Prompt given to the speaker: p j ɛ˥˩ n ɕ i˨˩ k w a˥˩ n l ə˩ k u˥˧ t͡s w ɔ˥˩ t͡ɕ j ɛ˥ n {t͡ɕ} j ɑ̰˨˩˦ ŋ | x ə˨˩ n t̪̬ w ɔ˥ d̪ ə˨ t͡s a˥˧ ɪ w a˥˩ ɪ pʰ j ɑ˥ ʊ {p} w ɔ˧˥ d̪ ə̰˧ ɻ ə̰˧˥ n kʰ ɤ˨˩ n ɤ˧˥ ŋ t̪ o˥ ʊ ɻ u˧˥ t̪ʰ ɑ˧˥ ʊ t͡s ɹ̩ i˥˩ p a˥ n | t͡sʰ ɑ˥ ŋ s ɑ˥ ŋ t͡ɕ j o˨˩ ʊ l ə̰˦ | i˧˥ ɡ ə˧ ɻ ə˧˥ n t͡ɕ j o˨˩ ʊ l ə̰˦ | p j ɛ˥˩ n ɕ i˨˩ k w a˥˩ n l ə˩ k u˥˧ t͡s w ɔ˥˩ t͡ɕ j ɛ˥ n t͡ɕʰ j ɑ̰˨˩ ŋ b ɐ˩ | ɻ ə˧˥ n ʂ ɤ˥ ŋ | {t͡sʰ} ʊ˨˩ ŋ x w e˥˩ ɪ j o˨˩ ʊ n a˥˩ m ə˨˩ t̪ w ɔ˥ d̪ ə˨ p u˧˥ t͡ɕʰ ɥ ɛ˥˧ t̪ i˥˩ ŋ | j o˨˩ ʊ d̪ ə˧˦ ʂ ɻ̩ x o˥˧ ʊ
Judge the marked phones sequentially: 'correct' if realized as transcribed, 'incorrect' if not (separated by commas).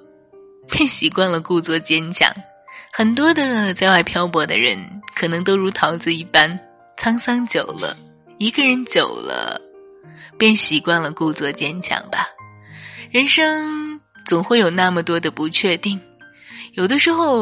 incorrect, correct, incorrect